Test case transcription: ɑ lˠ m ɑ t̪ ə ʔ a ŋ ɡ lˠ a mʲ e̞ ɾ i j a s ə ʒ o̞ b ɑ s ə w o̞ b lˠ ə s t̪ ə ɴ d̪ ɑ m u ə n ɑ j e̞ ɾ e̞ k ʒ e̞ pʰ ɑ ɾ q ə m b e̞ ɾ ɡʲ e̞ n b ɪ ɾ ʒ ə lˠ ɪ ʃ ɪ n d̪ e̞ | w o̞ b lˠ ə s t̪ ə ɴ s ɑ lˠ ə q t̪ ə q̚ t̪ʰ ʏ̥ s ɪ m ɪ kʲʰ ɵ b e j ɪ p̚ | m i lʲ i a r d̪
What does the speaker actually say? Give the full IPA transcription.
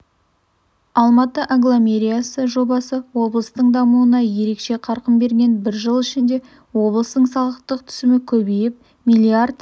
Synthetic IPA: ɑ lˠ m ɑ t̪ ə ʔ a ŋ ɡ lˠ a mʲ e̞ ɾ i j a s ə ʒ o̞ b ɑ s ə w o̞ b lˠ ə s t̪ ə ɴ d̪ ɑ m u ə n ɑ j e̞ ɾ e̞ k ʃ e̞ qʰ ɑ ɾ q ə m b e̞ ɾ ɡʲ e̞ n b ɪ ɾ ʒ ə lˠ ɪ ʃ ɪ n d̪ e̞ | w o̞ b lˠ ə s t̪ ə ɴ s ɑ lˠ ə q t̪ ə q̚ t̪ʰ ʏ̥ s ɪ m ɪ kʲʰ ɵ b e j ɪ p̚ | m i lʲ i a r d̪